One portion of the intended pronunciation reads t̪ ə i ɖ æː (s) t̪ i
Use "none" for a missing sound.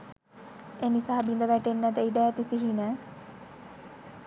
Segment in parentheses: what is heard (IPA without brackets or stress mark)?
none